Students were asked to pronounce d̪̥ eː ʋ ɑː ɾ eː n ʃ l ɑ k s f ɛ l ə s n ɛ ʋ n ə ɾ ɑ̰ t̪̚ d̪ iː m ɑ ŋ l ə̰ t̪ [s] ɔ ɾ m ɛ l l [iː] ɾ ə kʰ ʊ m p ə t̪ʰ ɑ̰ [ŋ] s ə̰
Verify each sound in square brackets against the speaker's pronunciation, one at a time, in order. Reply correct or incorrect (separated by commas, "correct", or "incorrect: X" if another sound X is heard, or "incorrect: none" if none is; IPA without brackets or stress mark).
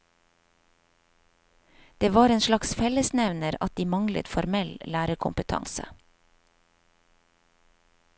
incorrect: f, incorrect: æː, correct